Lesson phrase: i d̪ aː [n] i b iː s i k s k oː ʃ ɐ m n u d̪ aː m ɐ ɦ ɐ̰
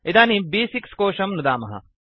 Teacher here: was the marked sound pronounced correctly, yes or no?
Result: yes